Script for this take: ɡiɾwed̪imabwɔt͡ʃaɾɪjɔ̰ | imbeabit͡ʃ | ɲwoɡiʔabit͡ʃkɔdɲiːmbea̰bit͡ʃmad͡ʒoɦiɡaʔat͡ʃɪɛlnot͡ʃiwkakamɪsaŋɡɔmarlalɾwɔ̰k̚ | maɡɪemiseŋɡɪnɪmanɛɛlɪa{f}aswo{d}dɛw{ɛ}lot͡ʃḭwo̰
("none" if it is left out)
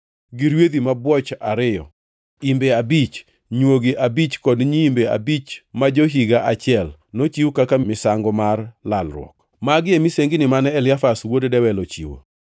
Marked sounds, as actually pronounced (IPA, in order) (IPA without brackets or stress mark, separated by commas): f, d, ɛ